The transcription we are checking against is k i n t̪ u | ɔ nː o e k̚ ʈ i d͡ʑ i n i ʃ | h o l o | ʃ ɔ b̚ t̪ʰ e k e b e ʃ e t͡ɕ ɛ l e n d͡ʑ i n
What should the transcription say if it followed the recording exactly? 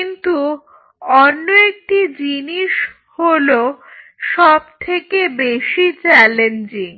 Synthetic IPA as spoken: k i n t̪ u | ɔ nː o e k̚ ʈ i d͡ʑ i n i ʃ | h o l o | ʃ ɔ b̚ t̪ʰ e k e b e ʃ i t͡ɕ ɛ l e n d͡ʑ i ŋ